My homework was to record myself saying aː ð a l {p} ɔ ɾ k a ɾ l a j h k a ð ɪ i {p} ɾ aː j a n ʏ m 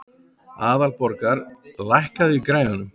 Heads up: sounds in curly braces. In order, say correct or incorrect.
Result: correct, incorrect

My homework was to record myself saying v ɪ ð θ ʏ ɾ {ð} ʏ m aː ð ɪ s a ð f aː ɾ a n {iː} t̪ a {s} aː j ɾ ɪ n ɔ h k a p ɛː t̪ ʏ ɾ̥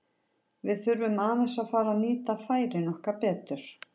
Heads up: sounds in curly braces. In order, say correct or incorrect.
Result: incorrect, correct, incorrect

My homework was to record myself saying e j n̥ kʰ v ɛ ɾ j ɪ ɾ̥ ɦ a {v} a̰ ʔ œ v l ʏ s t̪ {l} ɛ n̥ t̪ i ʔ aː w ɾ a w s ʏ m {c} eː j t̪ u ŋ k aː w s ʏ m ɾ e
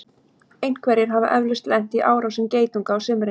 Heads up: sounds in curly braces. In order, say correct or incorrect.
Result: correct, correct, correct

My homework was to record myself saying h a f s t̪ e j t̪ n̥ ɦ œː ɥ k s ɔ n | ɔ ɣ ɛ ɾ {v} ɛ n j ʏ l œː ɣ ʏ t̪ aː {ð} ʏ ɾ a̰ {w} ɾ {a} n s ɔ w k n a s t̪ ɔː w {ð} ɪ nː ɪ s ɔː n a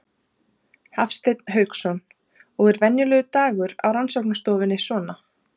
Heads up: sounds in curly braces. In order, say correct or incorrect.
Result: correct, incorrect, correct, correct, incorrect

